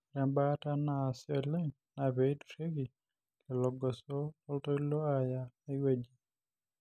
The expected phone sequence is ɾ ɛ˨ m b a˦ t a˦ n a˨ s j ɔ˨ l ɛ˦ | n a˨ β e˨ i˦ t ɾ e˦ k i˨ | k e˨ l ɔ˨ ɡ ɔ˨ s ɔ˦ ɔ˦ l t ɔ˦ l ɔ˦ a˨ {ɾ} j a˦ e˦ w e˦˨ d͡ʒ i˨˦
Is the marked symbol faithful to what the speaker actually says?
no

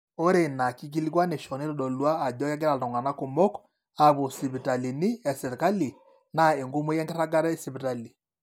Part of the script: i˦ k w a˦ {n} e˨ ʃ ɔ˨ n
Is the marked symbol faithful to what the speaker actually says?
yes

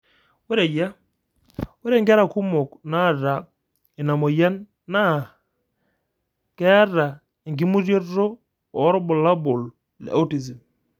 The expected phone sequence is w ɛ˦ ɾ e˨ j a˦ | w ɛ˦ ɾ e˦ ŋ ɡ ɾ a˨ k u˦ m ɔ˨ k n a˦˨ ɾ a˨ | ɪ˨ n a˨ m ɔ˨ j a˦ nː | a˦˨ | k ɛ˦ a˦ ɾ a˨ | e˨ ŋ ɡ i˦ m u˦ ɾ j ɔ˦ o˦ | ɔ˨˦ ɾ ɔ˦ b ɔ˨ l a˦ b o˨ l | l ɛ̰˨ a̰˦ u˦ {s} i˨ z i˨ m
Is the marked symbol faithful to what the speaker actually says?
no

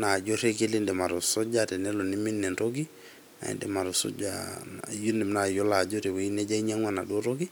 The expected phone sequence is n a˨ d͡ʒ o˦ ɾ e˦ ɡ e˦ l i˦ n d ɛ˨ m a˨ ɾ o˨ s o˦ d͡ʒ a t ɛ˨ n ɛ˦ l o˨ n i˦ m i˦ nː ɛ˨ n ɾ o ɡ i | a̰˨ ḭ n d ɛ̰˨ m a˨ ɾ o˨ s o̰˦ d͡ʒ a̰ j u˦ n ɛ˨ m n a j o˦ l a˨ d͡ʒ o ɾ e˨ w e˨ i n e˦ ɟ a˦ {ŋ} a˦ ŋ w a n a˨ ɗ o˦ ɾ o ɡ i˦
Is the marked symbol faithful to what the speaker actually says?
no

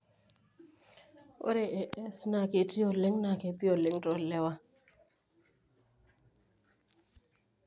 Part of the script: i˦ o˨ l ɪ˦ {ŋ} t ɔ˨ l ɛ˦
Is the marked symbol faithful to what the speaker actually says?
yes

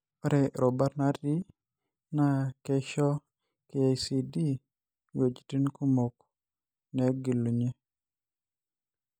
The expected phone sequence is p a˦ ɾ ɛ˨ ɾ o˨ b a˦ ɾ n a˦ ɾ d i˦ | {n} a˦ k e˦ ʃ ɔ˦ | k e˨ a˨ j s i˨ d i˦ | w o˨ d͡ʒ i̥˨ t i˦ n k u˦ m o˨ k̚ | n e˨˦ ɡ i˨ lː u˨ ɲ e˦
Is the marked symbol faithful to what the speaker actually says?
yes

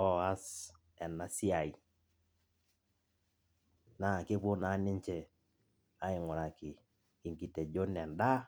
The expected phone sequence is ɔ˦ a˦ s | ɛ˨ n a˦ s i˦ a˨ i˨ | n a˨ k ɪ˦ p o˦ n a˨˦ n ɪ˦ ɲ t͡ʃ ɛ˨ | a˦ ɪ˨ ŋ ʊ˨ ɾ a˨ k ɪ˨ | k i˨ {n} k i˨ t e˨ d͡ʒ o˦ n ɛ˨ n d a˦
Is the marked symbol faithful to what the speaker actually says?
no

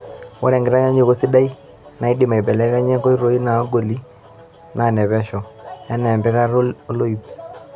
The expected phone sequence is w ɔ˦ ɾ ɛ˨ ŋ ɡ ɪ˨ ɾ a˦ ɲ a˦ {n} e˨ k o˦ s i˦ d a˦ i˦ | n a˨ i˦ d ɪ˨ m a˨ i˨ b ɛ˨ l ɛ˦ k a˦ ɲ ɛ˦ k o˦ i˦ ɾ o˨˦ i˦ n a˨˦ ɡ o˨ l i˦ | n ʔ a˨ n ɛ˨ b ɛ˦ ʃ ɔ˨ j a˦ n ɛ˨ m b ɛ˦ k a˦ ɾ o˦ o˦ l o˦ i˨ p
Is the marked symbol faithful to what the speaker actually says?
no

